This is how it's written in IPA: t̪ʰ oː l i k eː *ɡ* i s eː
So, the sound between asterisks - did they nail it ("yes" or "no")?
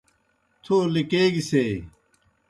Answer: yes